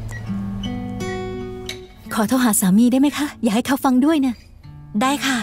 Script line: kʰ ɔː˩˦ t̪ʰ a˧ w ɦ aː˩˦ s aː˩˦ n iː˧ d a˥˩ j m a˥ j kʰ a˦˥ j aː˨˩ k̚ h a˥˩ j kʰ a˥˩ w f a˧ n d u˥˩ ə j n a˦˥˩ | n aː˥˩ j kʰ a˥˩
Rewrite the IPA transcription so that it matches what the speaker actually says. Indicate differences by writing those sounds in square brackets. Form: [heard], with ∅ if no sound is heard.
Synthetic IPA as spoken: kʰ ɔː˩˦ t̪ʰ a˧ w ɦ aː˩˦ s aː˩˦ [m] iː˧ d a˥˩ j m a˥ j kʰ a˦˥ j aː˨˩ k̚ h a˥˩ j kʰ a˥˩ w f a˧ [ŋ] d u˥˩ ə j n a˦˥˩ | [d] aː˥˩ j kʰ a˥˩